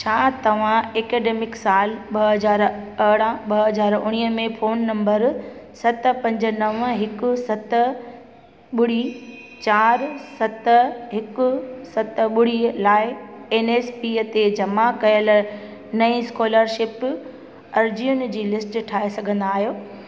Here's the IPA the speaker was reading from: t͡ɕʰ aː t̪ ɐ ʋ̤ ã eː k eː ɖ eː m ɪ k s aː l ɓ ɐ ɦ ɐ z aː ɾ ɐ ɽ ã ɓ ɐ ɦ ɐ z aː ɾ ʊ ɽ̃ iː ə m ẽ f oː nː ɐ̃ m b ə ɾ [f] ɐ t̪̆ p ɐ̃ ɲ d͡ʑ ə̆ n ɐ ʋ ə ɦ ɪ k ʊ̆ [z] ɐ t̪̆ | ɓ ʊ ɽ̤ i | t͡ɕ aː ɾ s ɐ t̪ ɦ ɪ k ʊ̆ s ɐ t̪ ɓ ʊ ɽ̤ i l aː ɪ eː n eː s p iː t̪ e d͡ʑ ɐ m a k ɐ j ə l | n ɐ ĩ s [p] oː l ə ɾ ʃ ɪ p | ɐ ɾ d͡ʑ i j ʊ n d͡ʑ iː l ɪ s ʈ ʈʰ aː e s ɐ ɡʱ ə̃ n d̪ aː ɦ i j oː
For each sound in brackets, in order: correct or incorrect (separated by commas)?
incorrect, incorrect, incorrect